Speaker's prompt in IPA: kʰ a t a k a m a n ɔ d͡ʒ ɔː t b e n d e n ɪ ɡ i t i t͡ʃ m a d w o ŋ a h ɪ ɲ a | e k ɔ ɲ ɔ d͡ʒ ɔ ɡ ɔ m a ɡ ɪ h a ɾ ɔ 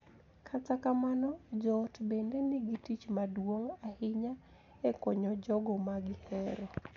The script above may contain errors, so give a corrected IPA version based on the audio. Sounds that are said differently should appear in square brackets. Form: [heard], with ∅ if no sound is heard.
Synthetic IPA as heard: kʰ a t a k a m a n ɔ d͡ʒ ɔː t b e n d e n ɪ ɡ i t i t͡ʃ m a d w o ŋ a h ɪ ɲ a | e k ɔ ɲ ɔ d͡ʒ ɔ ɡ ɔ m a ɡ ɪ h [ɛ] ɾ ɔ